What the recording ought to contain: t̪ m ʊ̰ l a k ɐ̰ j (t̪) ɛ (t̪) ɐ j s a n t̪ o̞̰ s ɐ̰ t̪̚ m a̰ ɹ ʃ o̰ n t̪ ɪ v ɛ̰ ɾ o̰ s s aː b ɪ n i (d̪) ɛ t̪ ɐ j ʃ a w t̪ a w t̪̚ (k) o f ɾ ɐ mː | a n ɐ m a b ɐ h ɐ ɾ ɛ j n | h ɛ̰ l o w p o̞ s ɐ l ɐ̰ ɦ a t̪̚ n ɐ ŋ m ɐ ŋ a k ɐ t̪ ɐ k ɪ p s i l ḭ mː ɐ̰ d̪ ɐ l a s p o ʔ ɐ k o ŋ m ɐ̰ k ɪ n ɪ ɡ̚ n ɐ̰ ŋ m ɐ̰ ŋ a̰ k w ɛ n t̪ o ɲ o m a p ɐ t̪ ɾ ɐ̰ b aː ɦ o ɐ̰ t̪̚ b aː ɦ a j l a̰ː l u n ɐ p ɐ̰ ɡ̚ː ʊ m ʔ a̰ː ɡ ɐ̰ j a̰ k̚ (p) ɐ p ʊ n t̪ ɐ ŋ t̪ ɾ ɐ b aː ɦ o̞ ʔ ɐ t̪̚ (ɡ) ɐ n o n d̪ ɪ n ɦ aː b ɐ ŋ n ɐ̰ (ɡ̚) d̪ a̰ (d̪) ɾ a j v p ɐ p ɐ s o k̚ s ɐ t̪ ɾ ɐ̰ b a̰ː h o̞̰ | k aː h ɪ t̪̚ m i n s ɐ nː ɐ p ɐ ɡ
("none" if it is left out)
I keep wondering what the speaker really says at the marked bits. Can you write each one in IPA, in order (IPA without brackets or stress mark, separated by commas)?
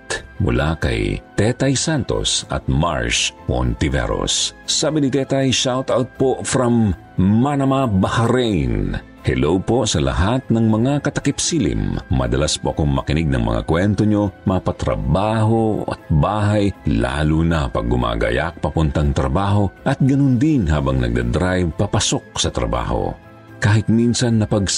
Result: t̪, t̪, t̪, p, p, ɡ, ɡ̚, d̪